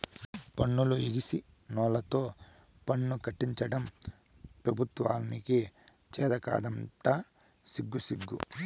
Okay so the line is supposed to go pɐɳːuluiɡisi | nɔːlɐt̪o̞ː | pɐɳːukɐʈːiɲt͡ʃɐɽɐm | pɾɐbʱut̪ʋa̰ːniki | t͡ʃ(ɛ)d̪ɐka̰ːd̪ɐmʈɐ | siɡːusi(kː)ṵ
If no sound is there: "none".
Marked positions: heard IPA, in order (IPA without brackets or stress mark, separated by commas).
ɛː, ɡː